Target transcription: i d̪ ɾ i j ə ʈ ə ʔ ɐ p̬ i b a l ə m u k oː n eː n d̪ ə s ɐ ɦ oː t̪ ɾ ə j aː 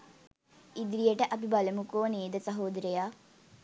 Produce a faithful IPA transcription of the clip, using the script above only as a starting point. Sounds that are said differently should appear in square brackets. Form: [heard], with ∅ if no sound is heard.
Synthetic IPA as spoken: i d̪ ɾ i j ə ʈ ə ʔ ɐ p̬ i b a l ə m u k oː n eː [∅] d̪ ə s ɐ ɦ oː [d̪] ɾ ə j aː